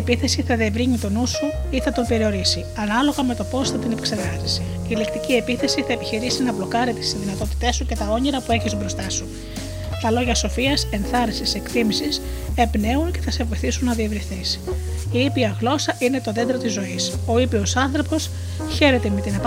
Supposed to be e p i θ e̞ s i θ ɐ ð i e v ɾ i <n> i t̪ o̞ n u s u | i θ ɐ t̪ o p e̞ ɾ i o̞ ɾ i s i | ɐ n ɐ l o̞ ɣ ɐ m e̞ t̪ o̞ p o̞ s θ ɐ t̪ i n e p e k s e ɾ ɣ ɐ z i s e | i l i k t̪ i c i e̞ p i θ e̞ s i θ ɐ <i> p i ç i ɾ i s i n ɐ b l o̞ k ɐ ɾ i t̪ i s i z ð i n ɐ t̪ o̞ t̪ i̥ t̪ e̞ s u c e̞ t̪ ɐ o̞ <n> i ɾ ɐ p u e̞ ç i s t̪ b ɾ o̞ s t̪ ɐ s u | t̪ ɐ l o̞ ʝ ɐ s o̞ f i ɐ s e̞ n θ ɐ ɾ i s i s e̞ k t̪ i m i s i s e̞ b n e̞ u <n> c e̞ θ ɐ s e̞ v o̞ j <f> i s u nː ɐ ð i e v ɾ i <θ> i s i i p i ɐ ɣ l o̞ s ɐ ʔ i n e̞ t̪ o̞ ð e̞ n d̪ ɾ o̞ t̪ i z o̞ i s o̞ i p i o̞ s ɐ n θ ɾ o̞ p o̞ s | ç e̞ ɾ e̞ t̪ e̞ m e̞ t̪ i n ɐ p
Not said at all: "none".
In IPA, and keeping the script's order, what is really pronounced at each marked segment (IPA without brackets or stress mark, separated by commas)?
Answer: ɲ, e, ɲ, n, θ, θ